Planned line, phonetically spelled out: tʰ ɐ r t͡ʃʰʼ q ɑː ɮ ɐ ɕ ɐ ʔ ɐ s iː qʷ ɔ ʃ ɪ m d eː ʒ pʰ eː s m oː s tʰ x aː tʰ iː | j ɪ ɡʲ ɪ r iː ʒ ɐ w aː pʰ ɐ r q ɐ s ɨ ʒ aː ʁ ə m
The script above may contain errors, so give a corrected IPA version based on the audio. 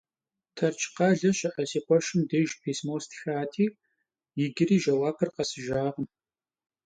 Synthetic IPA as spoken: tʰ ɐ r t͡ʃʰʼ q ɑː ɮ ɐ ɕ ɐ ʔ ɐ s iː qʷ ɔ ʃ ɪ m d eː ʒ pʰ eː s m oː s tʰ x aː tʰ iː | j ɪ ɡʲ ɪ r iː ʒ ɐ w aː pʰ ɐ r q ɐ s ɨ ʒ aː ʁ ə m